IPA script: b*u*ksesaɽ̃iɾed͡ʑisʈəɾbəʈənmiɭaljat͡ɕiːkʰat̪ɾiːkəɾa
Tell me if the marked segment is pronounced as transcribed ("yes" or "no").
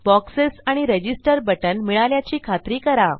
no